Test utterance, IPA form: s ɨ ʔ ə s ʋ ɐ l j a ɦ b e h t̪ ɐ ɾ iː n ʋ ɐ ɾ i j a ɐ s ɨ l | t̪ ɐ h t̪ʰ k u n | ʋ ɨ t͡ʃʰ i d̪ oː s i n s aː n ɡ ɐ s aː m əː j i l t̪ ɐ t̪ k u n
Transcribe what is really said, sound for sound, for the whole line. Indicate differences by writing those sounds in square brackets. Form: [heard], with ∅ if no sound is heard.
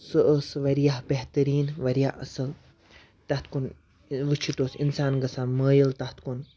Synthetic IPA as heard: s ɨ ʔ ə s ʋ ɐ [ɾ] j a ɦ b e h t̪ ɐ ɾ iː n ʋ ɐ ɾ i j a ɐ s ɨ l | t̪ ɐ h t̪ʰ k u n | ʋ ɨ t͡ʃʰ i [t̪] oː s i n s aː n ɡ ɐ s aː m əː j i l t̪ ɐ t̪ k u n